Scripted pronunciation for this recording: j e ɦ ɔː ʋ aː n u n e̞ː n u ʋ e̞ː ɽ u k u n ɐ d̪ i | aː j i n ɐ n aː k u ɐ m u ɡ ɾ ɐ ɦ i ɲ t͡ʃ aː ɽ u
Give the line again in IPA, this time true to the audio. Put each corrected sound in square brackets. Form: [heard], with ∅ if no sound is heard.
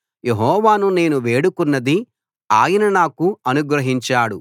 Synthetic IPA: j e ɦ ɔː ʋ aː n u n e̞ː n u ʋ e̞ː ɽ u k u [nː] ɐ d̪ i | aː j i n ɐ n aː k u ɐ [n] u ɡ ɾ ɐ ɦ i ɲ t͡ʃ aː ɽ u